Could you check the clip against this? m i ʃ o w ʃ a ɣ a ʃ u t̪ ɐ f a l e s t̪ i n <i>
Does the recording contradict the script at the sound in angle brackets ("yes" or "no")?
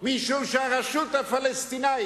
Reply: yes